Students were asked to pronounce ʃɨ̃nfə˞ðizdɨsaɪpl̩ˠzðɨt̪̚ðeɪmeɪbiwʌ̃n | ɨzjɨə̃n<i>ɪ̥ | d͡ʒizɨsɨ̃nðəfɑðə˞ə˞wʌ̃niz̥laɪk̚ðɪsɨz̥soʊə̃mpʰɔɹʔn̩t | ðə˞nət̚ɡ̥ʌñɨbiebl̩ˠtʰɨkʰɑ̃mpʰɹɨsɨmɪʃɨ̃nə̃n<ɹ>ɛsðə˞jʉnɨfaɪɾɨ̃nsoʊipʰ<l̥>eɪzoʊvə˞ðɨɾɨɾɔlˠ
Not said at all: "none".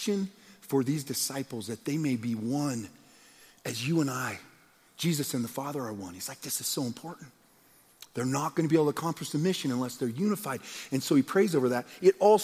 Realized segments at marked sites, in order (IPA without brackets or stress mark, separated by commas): a, l, ɹ̥